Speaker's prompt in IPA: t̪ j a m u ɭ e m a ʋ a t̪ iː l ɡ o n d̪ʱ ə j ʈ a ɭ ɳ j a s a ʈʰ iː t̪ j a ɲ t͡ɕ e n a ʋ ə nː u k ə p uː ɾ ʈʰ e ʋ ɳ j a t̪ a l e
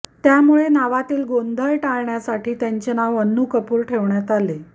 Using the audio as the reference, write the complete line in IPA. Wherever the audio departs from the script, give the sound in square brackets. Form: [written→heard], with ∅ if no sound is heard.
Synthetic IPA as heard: t̪ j a m u ɭ e [m→n] a ʋ a t̪ iː l ɡ o n d̪ʱ ə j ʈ a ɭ ɳ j a s a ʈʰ iː t̪ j a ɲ t͡ɕ e n a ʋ ə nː u k ə p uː ɾ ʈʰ e ʋ ɳ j a t̪ a l e